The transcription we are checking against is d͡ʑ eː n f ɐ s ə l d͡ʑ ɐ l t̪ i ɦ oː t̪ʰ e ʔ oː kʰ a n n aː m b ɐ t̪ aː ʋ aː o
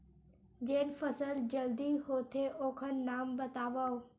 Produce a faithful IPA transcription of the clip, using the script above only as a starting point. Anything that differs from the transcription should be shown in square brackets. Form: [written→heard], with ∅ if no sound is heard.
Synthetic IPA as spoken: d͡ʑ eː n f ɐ s ə l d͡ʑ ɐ l [t̪→d̪] i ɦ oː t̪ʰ e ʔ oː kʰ [a→ə] n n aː m b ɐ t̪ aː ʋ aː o